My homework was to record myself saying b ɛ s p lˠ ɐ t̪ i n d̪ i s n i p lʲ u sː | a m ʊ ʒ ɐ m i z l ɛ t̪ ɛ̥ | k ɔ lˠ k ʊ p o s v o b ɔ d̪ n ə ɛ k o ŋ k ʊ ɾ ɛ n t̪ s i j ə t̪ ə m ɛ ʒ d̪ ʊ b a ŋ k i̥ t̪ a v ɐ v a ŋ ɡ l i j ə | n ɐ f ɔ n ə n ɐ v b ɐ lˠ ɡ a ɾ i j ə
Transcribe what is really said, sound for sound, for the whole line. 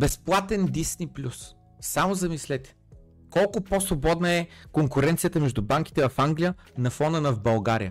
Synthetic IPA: b ɛ s p lˠ a t̪ ɛ n d̪ i s n i p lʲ u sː | a m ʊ z ɐ m i s l ɛ t̪ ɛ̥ | k ɔ lˠ k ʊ p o s v o b ɔ d̪ n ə ɛ k o ŋ k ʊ ɾ ɛ n t̪ s i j ə t̪ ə m ɛ ʒ d̪ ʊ b a ŋ k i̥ t̪ ɛ v ɐ f a ŋ ɡ l i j ə | n ɐ f ɔ n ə n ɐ v b ɐ lˠ ɡ a ɾ i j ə